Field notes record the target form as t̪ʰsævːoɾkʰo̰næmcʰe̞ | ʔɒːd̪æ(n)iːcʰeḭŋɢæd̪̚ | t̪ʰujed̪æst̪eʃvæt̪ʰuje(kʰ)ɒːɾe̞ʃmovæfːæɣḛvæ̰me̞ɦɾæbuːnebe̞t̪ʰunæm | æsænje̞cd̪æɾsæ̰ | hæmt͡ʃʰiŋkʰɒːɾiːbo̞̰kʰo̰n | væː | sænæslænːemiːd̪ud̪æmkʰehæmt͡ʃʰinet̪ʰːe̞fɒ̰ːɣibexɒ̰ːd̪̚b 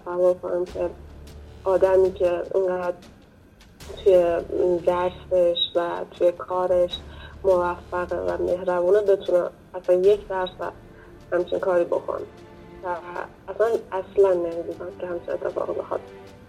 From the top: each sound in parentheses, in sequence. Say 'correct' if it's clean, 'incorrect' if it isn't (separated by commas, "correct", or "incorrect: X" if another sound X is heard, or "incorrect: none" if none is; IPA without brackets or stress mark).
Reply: incorrect: m, correct